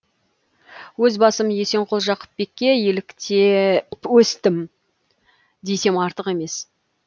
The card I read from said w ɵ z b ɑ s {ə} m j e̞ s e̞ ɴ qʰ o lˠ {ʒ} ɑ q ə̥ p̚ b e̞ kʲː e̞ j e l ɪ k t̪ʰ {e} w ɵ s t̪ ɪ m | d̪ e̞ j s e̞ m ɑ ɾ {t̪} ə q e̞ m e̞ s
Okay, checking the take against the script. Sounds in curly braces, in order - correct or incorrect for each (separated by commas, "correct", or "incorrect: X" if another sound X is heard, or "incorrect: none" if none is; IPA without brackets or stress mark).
correct, correct, correct, correct